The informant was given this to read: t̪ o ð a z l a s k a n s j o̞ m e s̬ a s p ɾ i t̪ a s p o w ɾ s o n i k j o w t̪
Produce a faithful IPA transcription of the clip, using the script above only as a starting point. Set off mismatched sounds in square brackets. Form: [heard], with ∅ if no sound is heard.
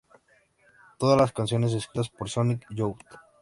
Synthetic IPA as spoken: t̪ o ð a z l a s k a n s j o̞ [n] e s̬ [e] s [k] ɾ i t̪ a s p o [∅] ɾ s o n i k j o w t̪